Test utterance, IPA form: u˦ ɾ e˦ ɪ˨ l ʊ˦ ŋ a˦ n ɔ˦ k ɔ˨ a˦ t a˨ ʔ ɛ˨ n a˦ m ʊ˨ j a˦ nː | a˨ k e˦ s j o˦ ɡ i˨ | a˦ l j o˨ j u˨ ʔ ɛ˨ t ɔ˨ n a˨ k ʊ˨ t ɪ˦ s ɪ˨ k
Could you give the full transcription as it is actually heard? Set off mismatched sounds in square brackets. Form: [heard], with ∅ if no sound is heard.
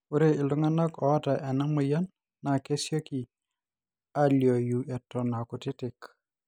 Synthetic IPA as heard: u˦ ɾ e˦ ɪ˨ l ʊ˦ ŋ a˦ n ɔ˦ k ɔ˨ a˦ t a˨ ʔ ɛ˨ n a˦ m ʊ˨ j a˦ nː | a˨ k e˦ s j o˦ [k] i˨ | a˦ l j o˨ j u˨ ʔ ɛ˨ t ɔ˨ n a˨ k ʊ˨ t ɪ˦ [t] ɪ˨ k